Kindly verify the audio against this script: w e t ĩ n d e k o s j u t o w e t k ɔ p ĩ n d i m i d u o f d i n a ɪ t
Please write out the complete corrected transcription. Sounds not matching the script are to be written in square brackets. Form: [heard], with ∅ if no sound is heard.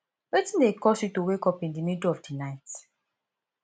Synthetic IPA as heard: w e t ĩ n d e k [ɔ] s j u t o w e [∅] k ɔ p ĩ n d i m i d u [ɔ] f d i n a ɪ t